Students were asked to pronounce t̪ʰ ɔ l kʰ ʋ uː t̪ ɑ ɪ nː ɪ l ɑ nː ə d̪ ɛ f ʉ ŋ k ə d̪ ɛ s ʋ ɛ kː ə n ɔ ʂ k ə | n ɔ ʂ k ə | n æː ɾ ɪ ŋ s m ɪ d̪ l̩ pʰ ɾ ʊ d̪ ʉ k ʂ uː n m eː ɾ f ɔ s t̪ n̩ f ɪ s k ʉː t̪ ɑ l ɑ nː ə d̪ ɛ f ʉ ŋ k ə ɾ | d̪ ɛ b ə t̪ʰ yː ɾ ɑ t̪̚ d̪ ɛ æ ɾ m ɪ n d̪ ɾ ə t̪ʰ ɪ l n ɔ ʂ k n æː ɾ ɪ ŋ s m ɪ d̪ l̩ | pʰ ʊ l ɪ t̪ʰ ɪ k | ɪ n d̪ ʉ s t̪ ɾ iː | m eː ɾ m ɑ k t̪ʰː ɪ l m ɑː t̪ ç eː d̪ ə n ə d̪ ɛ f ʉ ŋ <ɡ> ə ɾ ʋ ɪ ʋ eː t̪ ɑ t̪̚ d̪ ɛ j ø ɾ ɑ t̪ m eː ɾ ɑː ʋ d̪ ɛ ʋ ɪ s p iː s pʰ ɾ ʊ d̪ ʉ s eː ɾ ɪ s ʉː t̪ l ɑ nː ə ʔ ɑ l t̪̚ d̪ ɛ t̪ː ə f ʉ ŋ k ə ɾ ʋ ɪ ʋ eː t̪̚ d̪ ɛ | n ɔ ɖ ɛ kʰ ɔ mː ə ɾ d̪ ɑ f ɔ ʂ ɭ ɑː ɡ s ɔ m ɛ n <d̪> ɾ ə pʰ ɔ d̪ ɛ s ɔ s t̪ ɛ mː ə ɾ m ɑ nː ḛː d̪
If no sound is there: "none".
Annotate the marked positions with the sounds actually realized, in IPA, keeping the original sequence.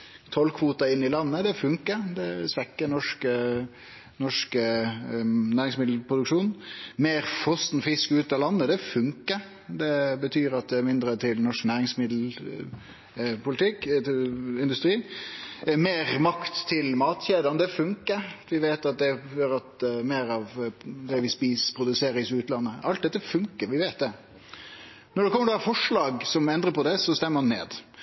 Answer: k, d̪

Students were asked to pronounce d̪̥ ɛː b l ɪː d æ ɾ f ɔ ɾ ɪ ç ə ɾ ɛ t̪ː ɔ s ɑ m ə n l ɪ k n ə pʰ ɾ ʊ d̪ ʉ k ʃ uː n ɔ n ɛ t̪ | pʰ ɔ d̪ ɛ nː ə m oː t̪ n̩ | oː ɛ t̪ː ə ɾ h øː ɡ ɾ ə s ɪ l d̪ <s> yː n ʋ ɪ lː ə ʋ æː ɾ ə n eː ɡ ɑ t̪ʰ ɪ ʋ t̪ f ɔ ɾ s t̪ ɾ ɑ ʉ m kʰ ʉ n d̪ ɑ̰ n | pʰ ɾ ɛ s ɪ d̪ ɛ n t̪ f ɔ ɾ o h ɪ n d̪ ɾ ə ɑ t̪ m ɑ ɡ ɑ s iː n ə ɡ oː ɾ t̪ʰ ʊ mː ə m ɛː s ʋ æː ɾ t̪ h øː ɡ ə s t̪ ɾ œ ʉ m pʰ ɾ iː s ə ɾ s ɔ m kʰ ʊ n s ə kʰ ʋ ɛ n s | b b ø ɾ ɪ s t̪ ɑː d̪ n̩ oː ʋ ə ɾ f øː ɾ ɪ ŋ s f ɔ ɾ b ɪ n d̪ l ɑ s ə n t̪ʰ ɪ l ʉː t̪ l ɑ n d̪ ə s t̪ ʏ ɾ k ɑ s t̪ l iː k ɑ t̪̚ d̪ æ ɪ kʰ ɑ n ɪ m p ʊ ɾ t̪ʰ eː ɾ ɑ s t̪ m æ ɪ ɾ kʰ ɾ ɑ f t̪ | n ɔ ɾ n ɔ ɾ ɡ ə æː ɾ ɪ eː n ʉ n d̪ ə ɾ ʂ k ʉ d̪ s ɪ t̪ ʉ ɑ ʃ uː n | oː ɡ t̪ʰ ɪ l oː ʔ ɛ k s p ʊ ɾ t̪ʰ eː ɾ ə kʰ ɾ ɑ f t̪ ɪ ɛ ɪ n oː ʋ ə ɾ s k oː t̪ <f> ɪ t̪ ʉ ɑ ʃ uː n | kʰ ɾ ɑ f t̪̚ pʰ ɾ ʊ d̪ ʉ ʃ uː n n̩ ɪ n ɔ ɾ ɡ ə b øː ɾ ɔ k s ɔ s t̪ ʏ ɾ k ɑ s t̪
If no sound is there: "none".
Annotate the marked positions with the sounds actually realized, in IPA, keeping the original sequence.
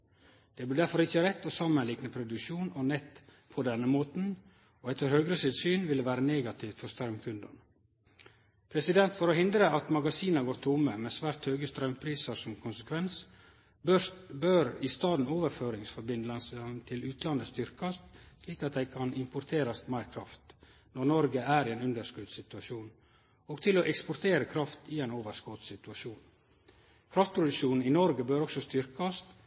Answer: s, s

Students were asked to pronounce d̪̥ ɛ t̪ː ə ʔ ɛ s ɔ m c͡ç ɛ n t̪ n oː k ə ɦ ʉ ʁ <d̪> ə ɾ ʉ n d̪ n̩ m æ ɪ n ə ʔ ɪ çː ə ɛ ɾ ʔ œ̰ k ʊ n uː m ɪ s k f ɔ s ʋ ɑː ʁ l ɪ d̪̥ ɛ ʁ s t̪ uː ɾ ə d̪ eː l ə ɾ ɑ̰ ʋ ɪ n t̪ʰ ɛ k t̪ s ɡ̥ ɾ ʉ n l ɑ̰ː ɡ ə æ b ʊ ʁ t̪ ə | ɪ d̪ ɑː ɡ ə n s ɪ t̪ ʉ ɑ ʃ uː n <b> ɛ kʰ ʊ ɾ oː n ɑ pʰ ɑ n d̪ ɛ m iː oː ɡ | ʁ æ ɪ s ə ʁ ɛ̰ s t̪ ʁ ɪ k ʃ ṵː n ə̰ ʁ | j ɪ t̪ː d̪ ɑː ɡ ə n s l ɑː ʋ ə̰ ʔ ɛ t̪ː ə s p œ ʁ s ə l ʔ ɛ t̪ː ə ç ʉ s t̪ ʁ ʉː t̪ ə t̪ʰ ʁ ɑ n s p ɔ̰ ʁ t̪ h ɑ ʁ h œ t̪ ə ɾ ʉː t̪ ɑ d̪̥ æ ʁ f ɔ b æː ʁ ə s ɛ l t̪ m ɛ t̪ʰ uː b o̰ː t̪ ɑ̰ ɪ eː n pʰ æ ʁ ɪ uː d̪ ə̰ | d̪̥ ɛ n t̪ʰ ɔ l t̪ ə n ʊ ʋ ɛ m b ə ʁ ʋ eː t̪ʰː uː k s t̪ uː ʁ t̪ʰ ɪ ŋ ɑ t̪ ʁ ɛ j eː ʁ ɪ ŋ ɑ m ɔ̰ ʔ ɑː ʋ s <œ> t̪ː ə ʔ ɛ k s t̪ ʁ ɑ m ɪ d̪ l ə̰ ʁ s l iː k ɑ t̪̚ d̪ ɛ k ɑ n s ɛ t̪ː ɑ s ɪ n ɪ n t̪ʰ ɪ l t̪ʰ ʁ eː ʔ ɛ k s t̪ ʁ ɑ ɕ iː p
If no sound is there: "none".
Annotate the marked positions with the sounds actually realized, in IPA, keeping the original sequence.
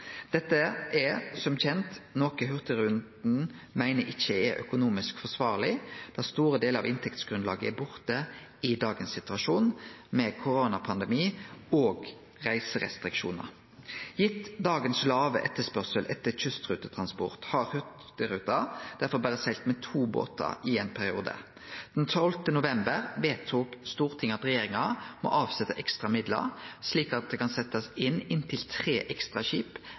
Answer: t̪, m, ɛ

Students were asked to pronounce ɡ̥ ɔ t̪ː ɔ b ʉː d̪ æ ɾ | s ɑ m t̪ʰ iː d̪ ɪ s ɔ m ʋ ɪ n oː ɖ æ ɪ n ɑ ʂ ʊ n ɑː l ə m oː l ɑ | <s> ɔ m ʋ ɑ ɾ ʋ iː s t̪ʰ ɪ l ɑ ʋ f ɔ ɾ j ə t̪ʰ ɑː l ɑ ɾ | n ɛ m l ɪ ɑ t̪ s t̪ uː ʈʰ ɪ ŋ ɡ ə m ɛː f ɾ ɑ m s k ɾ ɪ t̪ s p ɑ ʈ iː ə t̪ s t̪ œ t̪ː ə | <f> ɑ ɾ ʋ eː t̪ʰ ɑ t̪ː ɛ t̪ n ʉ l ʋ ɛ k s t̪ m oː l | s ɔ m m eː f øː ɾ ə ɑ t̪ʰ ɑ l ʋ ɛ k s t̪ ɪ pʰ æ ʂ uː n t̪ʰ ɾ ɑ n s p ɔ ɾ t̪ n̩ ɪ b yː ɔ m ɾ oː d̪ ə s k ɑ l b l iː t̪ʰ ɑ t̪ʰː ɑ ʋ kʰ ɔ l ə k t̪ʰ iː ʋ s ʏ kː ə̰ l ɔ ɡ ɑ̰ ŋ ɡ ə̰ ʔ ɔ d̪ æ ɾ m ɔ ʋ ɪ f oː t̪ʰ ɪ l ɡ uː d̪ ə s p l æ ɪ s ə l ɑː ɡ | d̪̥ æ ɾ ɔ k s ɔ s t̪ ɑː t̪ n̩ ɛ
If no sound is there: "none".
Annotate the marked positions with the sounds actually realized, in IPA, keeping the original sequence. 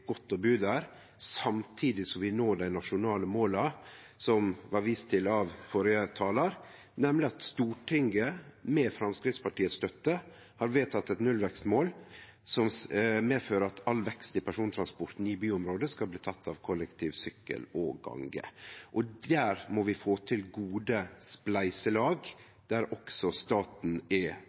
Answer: s, h

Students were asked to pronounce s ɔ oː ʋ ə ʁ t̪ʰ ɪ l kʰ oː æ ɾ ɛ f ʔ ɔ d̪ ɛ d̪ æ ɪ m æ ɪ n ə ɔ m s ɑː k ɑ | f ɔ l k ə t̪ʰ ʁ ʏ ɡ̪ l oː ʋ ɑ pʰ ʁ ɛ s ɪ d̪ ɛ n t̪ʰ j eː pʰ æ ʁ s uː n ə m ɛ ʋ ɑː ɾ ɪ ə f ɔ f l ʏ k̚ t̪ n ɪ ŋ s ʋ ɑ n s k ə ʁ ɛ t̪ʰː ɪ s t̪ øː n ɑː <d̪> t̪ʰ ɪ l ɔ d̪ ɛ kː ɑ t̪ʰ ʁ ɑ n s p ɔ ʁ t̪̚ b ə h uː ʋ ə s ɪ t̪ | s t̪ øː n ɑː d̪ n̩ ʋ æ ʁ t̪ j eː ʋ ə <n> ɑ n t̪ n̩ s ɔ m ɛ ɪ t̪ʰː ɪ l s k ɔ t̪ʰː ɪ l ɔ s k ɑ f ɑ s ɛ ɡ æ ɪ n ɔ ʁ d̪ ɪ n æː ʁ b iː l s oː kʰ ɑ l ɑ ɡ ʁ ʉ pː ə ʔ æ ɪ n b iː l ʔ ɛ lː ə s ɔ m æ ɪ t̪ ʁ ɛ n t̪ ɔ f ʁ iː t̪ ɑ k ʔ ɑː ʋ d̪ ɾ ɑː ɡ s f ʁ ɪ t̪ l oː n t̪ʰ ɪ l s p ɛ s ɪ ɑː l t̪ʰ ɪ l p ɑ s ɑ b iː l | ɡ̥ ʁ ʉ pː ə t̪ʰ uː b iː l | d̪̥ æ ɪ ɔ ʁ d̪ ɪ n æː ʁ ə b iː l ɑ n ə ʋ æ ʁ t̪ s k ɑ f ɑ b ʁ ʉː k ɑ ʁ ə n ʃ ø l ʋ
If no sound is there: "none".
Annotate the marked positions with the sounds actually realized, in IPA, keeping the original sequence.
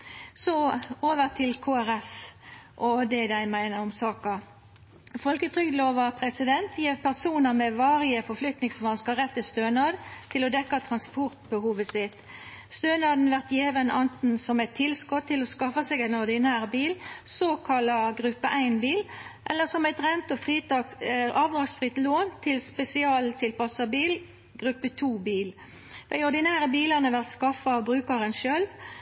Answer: d̪, n

